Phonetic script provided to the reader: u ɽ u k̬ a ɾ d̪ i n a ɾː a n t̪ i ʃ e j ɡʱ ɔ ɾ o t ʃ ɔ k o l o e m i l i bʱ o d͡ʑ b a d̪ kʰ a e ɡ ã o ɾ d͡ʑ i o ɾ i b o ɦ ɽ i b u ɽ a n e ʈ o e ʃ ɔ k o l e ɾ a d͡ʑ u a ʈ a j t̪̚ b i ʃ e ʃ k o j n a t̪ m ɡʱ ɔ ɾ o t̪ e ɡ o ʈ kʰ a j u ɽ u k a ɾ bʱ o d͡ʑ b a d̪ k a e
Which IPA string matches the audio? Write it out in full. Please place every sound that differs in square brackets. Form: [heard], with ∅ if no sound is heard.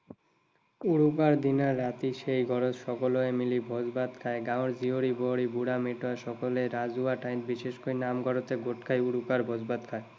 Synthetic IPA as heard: u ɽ u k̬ a ɾ d̪ i n a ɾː a [∅] t̪ i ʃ e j ɡʱ ɔ ɾ o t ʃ ɔ k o l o e m i l i bʱ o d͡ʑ b a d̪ kʰ a e ɡ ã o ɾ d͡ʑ i o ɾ i b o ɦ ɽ i b u ɽ a [m] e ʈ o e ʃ ɔ k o l e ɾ a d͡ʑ u a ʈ a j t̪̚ b i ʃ e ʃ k o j n a [∅] m ɡʱ ɔ ɾ o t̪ e ɡ o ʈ kʰ a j u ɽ u k a ɾ bʱ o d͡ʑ b a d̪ [kʰ] a e